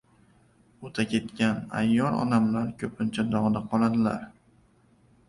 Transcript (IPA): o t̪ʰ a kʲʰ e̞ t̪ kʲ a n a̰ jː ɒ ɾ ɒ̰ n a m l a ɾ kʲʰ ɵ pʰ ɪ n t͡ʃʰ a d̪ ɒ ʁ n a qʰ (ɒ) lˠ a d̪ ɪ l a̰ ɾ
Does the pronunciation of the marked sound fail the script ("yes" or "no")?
no